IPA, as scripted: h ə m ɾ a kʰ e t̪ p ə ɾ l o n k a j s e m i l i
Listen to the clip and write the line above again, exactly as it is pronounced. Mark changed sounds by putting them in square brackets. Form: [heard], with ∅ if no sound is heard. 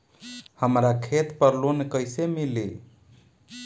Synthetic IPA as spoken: h ə m ɾ a kʰ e t̪ p ə ɾ l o n k [ə] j s e m i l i